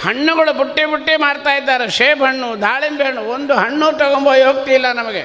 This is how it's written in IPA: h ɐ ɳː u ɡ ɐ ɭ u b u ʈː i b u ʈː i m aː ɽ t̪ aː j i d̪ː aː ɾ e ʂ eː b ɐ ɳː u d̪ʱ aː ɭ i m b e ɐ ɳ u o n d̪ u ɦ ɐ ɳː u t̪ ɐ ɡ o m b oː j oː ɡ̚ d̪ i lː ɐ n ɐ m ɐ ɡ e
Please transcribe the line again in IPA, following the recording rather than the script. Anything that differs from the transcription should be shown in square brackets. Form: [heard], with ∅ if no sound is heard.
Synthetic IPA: h ɐ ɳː u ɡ ɐ ɭ u b u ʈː i b u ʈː i m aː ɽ t̪ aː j i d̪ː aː ɾ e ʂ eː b ɐ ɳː u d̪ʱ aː ɭ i m b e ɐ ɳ u o n d̪ u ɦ ɐ ɳː u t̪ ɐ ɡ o m b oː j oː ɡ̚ [t̪] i lː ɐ n ɐ m ɐ ɡ e